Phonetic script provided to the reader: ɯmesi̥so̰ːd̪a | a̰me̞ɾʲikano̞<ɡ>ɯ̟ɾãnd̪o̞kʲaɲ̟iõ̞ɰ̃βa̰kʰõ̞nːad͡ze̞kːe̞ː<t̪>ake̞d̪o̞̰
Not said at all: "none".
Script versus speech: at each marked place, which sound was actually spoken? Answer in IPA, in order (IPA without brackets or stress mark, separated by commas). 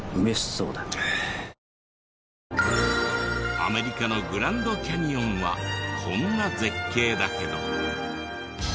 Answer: ɡ, d̪